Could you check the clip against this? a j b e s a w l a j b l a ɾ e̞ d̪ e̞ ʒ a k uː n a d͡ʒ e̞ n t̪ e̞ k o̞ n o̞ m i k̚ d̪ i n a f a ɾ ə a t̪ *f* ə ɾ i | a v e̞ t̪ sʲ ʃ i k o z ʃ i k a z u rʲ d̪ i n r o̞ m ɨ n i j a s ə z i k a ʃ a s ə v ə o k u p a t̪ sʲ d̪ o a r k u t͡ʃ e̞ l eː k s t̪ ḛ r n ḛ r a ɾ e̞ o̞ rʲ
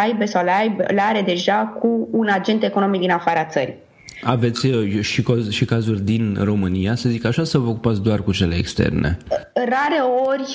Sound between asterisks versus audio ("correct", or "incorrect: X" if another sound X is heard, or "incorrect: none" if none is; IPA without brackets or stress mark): incorrect: s